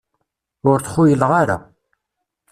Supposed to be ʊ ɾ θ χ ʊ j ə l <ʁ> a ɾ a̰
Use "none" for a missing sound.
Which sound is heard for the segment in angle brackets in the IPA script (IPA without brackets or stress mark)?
ʁ